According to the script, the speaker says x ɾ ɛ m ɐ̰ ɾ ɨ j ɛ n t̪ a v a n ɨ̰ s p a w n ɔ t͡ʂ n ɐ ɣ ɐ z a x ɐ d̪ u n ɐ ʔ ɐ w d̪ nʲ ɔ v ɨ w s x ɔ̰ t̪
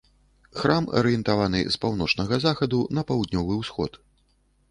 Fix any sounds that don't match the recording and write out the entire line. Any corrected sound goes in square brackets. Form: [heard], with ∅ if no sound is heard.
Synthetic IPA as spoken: x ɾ [a] m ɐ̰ ɾ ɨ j ɛ n t̪ a v a n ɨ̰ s p a w n ɔ t͡ʂ n ɐ ɣ ɐ z a x ɐ d̪ u n ɐ [p] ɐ w d̪ nʲ ɔ v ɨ w s x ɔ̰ t̪